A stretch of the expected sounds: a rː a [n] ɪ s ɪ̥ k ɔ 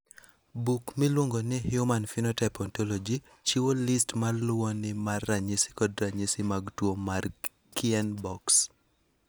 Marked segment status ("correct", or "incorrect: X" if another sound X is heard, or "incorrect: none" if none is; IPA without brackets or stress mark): incorrect: ɲ